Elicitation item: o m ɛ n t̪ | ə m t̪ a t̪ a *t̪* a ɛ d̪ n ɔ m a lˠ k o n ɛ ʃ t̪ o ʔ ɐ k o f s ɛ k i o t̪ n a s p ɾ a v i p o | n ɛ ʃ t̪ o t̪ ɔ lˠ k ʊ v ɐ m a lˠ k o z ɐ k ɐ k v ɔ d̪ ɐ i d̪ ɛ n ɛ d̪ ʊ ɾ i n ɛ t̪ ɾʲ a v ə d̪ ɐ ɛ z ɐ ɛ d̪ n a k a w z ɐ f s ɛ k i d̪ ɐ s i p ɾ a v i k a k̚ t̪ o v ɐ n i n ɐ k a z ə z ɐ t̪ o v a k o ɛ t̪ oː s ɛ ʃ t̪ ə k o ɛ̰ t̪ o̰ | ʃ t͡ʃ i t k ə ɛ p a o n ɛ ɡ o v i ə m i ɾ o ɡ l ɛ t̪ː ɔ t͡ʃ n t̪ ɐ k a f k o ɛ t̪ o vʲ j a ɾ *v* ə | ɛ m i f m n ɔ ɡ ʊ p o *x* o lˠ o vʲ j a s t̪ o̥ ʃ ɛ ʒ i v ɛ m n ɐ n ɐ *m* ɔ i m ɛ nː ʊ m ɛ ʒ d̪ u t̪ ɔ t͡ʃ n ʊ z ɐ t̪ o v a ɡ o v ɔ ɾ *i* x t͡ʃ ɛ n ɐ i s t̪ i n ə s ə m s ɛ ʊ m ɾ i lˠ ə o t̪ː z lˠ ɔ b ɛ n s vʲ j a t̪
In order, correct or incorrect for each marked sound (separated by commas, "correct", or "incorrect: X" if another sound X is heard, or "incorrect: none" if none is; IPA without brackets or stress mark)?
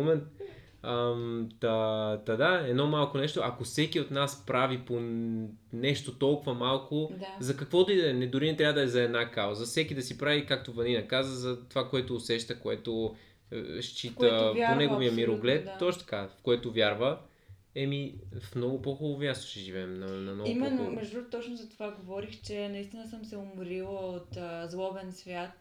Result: incorrect: d̪, correct, correct, incorrect: n, correct